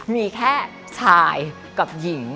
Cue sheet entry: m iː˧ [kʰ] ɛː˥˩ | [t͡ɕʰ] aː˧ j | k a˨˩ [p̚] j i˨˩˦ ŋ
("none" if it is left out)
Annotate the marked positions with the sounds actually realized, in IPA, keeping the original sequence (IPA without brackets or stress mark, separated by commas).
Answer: kʰ, t͡ɕʰ, p̚